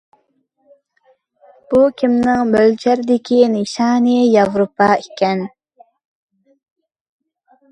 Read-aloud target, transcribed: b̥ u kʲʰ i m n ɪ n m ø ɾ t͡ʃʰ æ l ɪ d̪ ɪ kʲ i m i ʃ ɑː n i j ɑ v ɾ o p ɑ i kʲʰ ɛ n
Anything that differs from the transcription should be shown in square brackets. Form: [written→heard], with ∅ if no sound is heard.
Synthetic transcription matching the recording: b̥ u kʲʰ i m n ɪ [n→ŋ] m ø [ɾ→l] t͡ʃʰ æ [l→ɾ] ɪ d̪ ɪ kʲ i [m→n] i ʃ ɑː n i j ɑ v ɾ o p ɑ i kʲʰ ɛ n